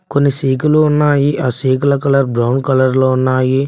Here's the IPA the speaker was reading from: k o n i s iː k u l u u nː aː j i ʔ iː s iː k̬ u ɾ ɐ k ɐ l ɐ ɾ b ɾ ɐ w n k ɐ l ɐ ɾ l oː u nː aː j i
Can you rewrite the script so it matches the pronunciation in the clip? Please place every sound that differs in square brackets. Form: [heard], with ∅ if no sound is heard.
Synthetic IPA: k o [nː] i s iː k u l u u nː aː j i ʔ [aː] s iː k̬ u [l] ɐ k ɐ l ɐ ɾ b ɾ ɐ w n k ɐ l ɐ ɾ l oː u nː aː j i